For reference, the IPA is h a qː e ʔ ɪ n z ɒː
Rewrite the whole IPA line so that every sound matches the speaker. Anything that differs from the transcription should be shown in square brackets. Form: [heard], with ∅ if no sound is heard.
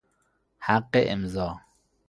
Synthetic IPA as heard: h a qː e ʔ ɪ [m] z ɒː